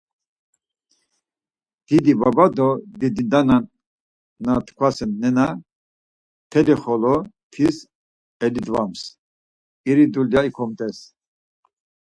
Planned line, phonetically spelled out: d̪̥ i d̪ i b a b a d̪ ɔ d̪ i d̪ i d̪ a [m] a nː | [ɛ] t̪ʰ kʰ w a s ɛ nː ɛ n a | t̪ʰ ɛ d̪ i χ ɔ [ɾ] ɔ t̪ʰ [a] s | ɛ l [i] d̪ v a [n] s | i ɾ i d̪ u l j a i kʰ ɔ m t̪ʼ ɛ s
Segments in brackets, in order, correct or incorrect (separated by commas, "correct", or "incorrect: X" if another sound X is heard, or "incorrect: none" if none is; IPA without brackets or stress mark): incorrect: n, incorrect: a, incorrect: l, incorrect: i, correct, incorrect: m